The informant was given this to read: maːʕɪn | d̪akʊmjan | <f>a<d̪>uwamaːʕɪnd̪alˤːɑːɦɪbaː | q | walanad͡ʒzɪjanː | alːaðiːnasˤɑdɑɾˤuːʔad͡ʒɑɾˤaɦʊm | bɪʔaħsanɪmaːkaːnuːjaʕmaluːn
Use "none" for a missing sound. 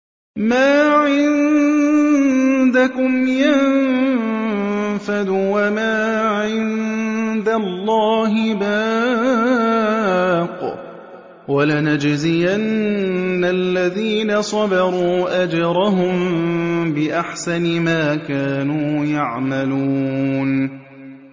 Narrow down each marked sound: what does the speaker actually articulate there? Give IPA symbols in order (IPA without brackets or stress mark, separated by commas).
f, d̪